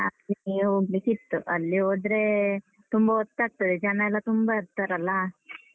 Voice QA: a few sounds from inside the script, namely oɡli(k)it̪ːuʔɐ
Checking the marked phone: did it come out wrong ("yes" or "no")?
no